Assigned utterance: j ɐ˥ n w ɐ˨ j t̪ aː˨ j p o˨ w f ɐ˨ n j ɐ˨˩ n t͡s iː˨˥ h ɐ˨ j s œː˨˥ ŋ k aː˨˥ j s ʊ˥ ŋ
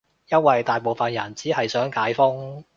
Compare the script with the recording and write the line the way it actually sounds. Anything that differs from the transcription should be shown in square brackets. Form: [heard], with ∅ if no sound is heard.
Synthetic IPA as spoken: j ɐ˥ n w ɐ˨ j t̪ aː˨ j p o˨ w f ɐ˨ n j ɐ˨˩ n t͡s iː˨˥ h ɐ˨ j s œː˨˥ ŋ k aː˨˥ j [f] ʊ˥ ŋ